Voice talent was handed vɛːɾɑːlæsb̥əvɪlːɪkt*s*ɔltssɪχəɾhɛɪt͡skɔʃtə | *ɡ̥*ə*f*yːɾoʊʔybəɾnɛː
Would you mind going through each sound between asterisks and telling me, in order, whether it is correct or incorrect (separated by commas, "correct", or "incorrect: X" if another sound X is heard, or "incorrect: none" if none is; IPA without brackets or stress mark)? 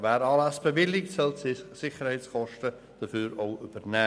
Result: correct, incorrect: d̥, correct